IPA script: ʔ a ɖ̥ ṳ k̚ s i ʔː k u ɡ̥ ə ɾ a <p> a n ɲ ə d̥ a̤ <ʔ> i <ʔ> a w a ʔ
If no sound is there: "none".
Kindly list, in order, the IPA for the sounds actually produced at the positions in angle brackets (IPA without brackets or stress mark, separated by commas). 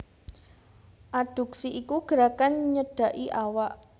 k, ʔ, ʔ